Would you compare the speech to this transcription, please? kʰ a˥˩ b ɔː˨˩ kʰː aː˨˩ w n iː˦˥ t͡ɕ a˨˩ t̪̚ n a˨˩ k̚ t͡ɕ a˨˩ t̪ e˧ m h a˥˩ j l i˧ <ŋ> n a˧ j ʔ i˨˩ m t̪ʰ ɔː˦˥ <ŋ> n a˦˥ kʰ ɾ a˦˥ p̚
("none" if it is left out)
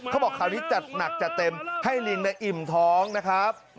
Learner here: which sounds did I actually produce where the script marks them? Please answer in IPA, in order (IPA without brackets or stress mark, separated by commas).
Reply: ŋ, ŋ